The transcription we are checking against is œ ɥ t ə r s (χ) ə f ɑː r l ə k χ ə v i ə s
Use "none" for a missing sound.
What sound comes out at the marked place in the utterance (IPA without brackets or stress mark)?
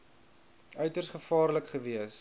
χ